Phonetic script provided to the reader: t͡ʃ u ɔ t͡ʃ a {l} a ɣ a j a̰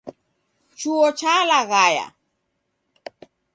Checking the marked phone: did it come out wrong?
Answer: no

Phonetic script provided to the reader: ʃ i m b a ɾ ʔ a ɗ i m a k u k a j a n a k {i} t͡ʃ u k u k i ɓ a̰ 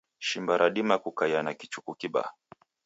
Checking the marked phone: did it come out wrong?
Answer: no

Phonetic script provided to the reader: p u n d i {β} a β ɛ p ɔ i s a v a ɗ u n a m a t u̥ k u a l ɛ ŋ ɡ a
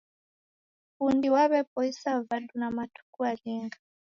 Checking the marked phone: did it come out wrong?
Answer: yes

